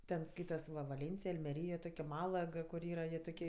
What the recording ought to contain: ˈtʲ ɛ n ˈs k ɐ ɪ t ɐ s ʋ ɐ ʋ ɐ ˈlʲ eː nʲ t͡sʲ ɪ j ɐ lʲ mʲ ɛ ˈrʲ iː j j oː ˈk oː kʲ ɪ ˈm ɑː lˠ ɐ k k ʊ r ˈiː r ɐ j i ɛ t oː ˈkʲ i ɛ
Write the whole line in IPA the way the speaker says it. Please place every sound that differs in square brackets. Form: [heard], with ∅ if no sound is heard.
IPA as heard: ˈtʲ ɛ n ˈs k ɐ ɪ t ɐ s ʋ ɐ ʋ ɐ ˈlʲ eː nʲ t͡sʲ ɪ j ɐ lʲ mʲ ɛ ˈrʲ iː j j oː [ˈt] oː kʲ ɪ ˈm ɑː lˠ ɐ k k ʊ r ˈiː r ɐ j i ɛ t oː ˈkʲ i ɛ